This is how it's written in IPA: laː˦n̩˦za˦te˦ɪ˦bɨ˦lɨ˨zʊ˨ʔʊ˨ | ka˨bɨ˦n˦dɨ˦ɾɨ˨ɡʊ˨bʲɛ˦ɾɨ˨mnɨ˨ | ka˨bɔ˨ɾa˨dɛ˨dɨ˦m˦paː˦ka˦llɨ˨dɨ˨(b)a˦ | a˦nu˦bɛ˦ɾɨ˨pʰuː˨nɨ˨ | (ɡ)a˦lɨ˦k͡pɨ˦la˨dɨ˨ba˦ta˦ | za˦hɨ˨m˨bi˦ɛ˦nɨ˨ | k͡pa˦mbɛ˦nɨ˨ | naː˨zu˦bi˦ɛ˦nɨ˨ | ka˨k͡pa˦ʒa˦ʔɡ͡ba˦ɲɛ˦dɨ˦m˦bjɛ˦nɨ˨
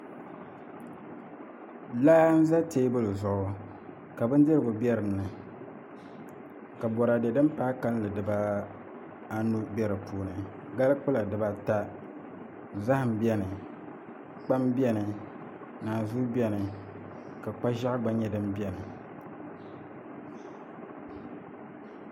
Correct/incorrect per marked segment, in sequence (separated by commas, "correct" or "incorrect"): correct, correct